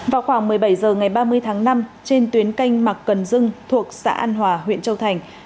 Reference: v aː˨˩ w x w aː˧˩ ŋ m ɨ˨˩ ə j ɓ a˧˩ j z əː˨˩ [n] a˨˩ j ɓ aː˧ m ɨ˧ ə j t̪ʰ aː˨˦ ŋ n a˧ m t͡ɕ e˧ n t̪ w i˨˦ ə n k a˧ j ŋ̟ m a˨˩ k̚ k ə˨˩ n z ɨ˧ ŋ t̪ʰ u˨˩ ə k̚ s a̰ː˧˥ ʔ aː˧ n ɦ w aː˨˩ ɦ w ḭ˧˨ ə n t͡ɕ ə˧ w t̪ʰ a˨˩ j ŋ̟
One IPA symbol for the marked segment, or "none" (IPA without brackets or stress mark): ŋ